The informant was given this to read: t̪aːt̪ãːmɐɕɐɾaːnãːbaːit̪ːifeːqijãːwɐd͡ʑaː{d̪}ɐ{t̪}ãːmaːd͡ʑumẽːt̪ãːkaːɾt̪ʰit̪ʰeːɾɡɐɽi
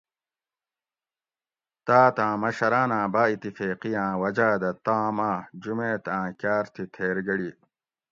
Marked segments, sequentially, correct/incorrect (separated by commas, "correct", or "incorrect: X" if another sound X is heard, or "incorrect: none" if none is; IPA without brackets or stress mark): correct, correct